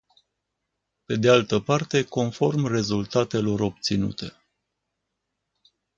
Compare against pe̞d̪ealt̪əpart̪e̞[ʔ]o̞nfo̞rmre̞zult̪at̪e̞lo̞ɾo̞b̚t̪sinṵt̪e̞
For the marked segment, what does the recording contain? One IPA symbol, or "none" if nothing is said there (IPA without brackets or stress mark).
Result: k